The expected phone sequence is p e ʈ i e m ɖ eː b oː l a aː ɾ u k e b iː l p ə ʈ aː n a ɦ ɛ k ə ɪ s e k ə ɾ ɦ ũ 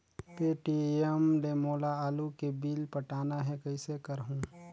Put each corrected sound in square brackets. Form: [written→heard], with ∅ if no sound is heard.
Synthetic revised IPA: p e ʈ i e m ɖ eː [b→m] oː l a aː [ɾ→l] u k e b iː l p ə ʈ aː n a ɦ ɛ k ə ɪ s e k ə ɾ ɦ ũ